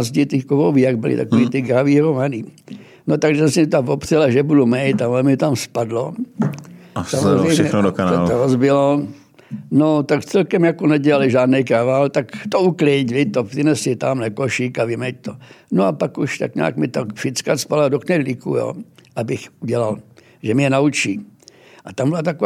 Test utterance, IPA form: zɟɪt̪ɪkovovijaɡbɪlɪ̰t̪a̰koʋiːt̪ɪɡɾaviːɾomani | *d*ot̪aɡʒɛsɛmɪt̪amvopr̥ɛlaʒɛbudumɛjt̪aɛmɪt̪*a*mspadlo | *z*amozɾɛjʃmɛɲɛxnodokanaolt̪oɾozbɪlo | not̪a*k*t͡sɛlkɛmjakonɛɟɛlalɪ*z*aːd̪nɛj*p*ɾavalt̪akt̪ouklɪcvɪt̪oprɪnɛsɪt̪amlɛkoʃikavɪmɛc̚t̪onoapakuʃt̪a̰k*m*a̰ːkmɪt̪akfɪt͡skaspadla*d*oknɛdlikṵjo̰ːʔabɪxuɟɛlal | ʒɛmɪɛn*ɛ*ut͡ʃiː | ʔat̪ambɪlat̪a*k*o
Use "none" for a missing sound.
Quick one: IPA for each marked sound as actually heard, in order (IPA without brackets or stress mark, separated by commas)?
n, a, s, k, ʒ, k, ɲ, d, a, k